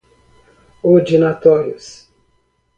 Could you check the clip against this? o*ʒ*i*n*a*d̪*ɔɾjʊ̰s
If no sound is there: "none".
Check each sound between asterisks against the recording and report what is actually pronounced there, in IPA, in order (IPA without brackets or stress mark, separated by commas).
d͡ʒ, n, t̪